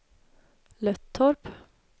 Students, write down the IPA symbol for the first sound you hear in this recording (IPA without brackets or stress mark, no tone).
l